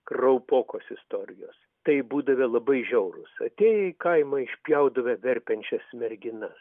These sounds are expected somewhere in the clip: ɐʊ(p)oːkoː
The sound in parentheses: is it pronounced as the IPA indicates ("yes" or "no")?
yes